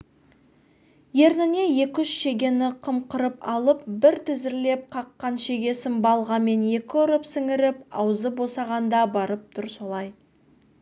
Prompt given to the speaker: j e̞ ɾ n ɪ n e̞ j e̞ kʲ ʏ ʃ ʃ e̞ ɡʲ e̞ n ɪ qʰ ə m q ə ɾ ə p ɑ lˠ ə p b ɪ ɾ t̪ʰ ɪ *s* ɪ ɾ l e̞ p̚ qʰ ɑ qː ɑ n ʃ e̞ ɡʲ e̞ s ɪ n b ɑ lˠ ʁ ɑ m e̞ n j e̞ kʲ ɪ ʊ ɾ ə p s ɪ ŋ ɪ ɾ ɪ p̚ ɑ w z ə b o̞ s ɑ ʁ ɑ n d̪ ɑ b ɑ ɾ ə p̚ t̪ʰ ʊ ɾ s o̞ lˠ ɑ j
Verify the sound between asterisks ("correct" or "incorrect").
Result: incorrect